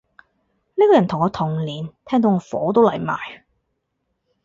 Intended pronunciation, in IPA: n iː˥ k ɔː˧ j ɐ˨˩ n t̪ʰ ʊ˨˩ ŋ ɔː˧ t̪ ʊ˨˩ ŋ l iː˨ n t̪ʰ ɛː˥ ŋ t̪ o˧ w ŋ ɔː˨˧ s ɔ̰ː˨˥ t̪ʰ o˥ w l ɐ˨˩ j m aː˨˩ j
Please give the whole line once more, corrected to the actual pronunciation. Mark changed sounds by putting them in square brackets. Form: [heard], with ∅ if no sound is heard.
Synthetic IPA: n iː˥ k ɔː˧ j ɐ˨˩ n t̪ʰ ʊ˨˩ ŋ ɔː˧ [t̪ʰ] ʊ˨˩ ŋ l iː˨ n t̪ʰ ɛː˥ ŋ t̪ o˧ w ŋ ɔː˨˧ [f] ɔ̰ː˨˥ [t̪] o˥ w l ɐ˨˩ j m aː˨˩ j